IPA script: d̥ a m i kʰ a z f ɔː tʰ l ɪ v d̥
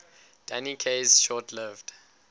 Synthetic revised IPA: d̥ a n i kʰ e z ʃ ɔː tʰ l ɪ v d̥